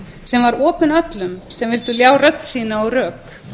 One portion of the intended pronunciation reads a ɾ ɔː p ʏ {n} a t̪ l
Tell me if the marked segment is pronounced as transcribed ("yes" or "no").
yes